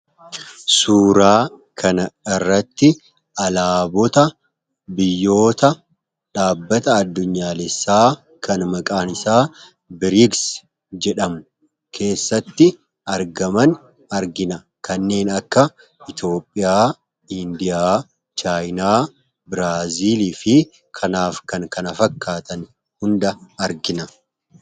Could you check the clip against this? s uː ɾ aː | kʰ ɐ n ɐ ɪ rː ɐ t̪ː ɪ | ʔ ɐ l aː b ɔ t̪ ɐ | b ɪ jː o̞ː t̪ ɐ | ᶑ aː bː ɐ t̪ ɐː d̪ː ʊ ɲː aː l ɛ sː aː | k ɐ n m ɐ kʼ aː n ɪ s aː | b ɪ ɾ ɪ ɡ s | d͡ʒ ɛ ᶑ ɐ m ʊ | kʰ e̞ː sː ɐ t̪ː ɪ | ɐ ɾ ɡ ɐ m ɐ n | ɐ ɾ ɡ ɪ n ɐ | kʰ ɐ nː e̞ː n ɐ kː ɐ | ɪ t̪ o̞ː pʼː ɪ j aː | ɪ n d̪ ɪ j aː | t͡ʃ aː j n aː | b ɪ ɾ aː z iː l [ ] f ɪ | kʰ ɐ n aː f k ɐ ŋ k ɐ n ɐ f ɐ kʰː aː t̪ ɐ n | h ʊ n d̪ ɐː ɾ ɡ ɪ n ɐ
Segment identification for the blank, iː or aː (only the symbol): iː